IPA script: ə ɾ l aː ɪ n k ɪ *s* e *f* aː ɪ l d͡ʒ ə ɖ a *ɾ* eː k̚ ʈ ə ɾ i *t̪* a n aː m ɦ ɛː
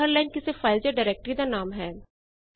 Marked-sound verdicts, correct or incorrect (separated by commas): correct, correct, correct, incorrect